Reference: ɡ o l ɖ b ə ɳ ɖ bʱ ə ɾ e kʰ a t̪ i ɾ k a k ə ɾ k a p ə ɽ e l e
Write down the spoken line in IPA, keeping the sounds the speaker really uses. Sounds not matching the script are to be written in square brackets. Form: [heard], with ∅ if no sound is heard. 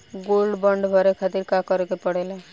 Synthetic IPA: ɡ o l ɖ b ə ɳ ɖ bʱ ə ɾ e kʰ a t̪ i ɾ k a k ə ɾ k [e] p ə ɽ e l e

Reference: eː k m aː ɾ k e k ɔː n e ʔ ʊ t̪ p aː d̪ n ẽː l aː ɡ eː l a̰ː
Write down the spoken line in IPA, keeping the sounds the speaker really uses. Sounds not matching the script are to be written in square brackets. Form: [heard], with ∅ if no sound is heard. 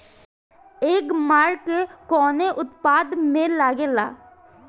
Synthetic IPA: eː k m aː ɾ k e k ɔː n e ʔ ʊ t̪ p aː d̪ [m] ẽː l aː ɡ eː l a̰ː

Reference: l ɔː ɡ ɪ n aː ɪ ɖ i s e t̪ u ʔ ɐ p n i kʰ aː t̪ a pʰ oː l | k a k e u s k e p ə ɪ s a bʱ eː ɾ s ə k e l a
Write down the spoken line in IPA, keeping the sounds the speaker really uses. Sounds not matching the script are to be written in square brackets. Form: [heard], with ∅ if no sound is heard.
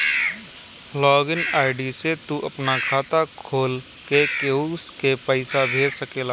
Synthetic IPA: l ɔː ɡ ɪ n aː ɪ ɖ i s e t̪ u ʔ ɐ p n [a] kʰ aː t̪ a [kʰ] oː l | k [e] k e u s k e p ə ɪ s a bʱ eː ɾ s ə k e l a

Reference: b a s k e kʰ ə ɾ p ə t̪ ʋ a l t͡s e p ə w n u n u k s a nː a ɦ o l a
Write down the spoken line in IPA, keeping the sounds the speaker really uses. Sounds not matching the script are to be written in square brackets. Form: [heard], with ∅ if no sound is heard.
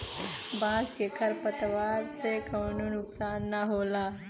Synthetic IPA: b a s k e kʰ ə ɾ p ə t̪ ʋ a [ɾ] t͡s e [k] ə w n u n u k s a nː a ɦ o l a

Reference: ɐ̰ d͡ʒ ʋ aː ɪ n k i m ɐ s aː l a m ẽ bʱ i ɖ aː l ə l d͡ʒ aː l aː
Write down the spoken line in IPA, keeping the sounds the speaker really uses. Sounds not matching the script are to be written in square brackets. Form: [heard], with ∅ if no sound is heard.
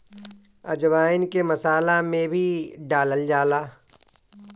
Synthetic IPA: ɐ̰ d͡ʒ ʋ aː ɪ n k [e] m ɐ s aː l a m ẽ bʱ i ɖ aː l ə l d͡ʒ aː l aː

